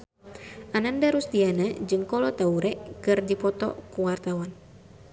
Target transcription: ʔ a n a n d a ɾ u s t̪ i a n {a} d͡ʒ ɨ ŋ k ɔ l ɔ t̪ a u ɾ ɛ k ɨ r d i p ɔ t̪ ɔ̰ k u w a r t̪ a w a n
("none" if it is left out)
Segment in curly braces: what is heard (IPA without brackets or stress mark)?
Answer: a